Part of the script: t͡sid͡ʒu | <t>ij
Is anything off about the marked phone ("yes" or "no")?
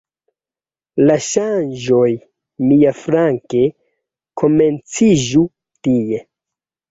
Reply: no